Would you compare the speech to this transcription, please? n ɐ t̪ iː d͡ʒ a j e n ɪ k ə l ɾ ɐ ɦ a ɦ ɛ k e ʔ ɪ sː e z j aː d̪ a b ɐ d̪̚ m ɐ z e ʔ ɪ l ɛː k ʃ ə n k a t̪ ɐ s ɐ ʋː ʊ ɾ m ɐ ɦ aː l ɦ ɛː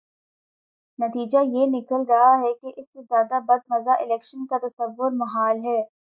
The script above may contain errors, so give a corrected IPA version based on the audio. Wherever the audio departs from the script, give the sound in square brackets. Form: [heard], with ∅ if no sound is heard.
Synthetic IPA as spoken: n ɐ t̪ iː d͡ʒ a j e n ɪ k ə l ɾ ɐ ɦ a ɦ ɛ k e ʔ ɪ sː e z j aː d̪ a b ɐ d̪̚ m ɐ z [a] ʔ ɪ l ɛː k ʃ ə n k a t̪ ɐ s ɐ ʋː ʊ ɾ m ɐ ɦ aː l ɦ ɛː